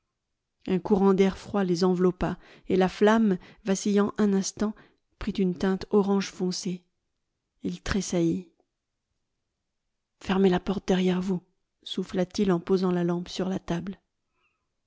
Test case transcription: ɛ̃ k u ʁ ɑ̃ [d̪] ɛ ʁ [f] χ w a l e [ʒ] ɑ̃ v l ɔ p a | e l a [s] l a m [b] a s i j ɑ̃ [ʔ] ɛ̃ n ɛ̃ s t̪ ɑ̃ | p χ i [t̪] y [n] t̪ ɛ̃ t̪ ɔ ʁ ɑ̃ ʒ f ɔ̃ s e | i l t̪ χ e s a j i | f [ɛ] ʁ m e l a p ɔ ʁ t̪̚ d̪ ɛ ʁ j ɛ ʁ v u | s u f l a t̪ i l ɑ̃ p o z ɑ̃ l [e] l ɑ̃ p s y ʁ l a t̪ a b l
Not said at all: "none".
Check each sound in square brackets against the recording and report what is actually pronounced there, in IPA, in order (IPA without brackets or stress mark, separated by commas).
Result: d̪, f, z, f, v, ʔ, t̪, n, ɛ, a